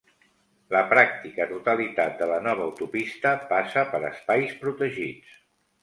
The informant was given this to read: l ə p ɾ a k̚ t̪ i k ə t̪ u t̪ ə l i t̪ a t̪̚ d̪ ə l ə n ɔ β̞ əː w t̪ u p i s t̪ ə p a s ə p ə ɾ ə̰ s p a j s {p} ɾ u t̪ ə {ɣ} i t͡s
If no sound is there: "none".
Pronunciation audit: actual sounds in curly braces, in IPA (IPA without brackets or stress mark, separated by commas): p, ʒ